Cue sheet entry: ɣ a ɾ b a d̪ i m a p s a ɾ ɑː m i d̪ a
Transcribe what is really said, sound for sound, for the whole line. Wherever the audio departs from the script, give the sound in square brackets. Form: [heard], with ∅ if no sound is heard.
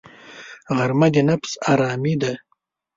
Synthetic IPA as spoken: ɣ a ɾ [m] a d̪ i [n] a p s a ɾ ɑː m i d̪ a